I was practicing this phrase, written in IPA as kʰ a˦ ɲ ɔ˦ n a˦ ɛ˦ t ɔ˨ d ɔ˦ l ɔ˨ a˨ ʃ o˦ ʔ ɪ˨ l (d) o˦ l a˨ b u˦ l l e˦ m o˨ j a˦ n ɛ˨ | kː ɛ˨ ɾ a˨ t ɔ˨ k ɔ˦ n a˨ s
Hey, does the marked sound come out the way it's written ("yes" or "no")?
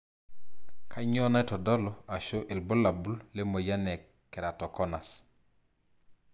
no